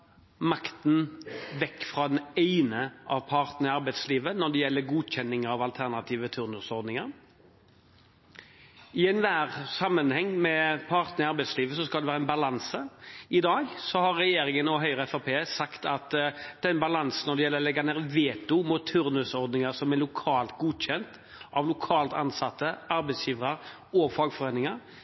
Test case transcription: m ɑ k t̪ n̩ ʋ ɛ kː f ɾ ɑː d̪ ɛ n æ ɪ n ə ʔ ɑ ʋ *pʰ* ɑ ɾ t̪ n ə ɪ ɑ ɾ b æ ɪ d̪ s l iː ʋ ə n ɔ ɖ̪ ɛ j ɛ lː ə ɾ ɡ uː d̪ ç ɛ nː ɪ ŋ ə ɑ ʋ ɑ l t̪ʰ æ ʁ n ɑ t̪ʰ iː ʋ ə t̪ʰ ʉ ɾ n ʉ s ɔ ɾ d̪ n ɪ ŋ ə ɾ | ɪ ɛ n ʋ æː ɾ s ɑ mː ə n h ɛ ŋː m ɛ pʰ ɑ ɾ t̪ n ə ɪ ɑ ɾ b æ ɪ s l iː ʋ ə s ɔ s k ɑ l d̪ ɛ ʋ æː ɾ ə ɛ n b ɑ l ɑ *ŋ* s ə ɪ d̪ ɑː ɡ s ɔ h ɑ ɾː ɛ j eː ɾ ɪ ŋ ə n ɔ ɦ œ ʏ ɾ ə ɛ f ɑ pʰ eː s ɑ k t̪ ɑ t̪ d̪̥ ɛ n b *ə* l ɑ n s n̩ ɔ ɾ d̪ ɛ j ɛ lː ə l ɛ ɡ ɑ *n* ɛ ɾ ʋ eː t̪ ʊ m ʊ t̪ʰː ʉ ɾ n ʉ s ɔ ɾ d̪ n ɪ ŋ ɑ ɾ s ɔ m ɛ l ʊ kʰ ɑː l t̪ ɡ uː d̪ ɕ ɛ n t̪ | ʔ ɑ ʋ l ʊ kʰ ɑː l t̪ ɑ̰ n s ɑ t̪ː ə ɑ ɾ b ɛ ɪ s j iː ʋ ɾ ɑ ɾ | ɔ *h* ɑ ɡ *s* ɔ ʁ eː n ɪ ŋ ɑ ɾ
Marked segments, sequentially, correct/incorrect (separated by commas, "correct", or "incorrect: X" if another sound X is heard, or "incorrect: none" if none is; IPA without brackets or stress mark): correct, incorrect: n, incorrect: ɑ, correct, incorrect: f, incorrect: f